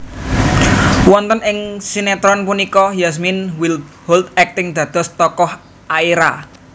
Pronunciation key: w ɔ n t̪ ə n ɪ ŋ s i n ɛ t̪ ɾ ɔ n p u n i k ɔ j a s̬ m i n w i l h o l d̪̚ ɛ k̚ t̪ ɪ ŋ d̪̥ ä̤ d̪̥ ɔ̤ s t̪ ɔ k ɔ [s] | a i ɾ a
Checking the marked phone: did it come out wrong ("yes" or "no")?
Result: yes